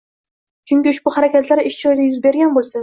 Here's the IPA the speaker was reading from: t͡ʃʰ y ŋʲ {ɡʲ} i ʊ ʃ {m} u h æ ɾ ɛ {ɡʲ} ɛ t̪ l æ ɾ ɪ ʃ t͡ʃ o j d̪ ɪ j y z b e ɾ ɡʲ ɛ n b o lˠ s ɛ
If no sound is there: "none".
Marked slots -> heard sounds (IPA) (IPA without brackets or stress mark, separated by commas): kʲ, b, kʲ